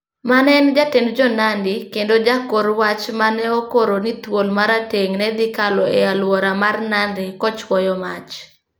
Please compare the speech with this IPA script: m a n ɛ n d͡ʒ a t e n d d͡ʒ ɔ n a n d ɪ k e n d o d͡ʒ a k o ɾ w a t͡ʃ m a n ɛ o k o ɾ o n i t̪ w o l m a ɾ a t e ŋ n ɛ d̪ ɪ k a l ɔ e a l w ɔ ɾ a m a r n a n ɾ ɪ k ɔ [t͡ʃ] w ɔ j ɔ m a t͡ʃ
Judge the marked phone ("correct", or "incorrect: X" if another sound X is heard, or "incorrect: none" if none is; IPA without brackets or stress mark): correct